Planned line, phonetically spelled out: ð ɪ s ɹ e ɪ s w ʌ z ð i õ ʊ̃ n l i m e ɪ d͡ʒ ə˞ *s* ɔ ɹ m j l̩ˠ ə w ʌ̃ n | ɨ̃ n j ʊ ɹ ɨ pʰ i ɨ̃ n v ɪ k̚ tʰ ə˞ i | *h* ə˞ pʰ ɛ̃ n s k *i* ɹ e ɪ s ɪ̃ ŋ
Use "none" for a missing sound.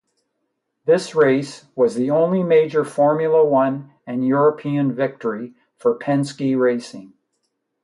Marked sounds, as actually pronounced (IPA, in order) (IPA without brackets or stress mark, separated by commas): f, f, i